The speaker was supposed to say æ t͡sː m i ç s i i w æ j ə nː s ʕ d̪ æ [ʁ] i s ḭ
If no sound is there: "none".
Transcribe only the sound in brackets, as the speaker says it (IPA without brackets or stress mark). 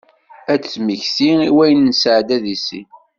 ð